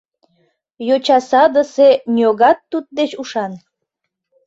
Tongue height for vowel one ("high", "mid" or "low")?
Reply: mid